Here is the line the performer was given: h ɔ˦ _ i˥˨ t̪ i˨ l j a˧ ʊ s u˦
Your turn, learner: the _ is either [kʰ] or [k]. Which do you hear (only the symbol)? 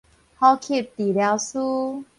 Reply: kʰ